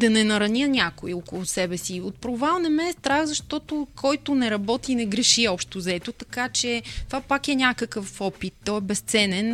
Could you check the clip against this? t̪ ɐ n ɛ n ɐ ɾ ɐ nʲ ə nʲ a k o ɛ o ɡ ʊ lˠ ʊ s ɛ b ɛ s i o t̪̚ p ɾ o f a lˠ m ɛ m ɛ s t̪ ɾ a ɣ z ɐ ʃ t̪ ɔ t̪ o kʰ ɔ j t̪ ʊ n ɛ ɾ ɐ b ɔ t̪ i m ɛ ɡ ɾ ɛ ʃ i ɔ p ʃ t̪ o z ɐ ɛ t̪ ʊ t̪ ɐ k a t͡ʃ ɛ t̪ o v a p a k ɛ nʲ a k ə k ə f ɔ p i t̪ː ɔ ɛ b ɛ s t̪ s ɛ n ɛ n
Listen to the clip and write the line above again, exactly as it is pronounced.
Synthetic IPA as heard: d̪ ɐ n ɛ n ɐ ɾ ɐ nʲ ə nʲ a k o i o k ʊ lˠ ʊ s ɛ b ɛ s i o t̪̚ p ɾ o v a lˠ n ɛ m ɛ s t̪ ɾ a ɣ z ɐ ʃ t̪ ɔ t̪ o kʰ ɔ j t̪ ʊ n ɛ ɾ ɐ b ɔ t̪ i n ɛ ɡ ɾ ɛ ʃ i ɔ p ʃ t̪ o z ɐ ɛ t̪ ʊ t̪ ɐ k a t͡ʃ ɛ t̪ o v a p a k ɛ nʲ a k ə k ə f ɔ p i t̪ː ɔ ɛ b ɛ s t̪ s ɛ n ɛ n